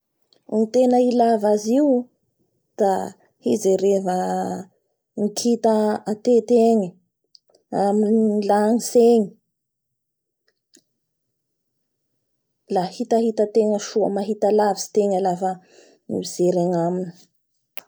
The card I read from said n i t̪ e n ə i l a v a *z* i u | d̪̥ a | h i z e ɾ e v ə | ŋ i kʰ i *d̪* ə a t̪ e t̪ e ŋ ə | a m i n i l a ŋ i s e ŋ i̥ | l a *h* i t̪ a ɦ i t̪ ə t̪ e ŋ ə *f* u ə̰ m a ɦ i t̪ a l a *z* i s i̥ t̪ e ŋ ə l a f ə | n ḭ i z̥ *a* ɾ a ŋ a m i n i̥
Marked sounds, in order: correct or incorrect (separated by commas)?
correct, incorrect, correct, incorrect, incorrect, incorrect